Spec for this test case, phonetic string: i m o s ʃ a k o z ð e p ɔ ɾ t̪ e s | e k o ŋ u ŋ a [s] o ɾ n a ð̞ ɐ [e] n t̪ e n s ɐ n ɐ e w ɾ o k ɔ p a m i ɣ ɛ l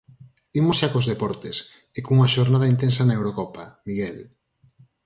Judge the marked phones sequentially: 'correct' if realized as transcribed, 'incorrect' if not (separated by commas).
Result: incorrect, incorrect